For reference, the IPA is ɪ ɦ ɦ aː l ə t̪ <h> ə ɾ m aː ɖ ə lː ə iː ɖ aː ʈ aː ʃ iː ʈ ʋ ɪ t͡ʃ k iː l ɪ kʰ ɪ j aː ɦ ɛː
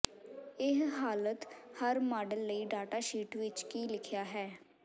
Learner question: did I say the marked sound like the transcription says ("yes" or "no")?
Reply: yes